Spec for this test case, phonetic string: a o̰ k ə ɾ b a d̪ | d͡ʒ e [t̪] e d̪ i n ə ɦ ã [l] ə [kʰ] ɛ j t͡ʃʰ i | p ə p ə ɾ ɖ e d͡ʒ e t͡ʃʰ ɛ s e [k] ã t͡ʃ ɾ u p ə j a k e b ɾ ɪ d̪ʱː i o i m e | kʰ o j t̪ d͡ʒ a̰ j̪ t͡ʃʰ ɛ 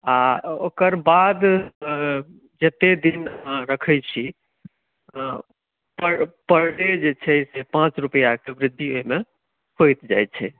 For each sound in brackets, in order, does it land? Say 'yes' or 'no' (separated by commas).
yes, no, yes, no